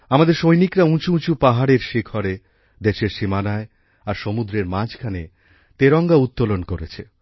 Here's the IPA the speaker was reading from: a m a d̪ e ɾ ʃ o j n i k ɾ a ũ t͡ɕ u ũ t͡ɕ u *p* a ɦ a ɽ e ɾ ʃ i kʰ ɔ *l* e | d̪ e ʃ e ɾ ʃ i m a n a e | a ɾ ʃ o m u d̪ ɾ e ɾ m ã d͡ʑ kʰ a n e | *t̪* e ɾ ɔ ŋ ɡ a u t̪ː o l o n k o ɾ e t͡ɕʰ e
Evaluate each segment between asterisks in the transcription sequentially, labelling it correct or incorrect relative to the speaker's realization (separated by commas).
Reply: correct, incorrect, correct